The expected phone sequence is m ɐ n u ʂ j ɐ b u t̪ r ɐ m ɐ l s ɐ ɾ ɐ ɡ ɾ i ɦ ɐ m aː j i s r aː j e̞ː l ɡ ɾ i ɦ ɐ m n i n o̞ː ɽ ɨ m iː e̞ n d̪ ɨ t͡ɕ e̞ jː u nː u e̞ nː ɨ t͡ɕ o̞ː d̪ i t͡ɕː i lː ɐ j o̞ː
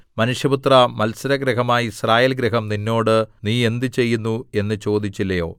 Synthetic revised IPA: m ɐ n u ʂ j ɐ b u t̪ r ɐ m ɐ l s ɐ ɾ ɐ ɡ ɾ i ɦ ɐ m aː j i s r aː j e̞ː l ɡ ɾ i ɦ ɐ m n i nː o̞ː ɽ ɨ n iː e̞ n d̪ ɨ t͡ɕ e̞ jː u nː u e̞ nː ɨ t͡ɕ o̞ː d̪ i t͡ɕː i lː ɐ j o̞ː